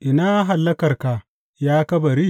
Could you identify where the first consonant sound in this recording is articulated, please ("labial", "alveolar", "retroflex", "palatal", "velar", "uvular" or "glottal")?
glottal